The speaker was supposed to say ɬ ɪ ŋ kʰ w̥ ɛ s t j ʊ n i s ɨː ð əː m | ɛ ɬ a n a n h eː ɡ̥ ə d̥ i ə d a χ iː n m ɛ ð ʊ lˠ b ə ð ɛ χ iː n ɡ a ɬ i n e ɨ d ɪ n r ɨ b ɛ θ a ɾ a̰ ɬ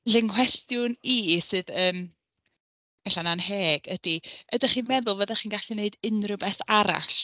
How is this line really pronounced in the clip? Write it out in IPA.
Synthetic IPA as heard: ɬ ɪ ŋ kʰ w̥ ɛ s t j ʊ n i s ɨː ð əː m | ɛ ɬ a n a n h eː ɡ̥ ə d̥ i ə d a χ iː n m ɛ ð ʊ lˠ v ə ð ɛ χ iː n ɡ a ɬ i n e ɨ d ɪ n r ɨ b ɛ θ a ɾ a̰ ɬ